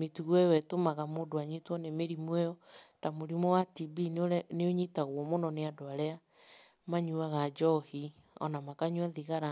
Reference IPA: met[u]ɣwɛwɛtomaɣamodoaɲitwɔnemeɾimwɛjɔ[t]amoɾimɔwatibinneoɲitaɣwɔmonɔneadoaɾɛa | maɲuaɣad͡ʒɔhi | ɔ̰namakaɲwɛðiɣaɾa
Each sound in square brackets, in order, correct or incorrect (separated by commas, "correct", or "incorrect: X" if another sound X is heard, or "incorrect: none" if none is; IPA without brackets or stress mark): correct, correct